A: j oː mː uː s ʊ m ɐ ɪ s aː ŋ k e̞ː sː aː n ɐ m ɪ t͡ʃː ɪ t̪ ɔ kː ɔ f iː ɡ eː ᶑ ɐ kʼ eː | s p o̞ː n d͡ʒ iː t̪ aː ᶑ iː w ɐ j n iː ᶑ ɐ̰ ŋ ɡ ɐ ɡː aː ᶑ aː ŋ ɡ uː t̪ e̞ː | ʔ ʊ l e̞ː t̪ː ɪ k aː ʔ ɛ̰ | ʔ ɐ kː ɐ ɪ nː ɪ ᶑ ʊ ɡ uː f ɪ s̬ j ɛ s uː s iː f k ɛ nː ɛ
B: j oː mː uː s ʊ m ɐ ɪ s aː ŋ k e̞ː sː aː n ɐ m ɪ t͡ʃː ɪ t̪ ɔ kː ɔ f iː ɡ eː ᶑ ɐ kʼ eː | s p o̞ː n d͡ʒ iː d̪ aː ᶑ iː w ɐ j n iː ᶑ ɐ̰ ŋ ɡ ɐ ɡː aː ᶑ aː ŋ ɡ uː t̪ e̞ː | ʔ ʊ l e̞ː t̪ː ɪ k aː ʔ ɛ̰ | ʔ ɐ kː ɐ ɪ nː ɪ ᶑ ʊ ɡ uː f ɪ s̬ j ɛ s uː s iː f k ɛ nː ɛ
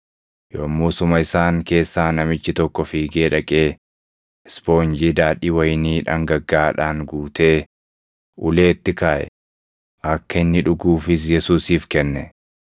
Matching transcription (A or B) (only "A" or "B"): B